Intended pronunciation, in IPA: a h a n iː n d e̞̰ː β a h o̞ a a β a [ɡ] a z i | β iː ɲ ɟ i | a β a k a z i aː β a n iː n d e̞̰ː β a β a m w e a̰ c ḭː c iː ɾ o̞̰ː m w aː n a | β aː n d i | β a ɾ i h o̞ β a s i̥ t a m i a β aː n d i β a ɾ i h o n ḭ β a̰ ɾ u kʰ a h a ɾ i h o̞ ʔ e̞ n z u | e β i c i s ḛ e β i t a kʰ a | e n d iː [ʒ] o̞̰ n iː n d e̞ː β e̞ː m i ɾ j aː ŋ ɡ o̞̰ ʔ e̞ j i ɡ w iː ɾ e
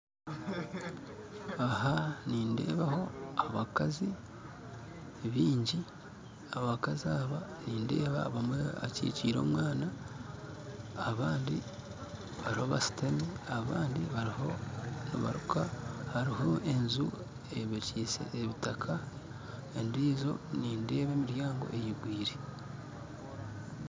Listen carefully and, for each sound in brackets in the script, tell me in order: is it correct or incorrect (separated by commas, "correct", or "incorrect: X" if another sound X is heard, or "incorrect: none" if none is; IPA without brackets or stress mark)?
incorrect: k, incorrect: z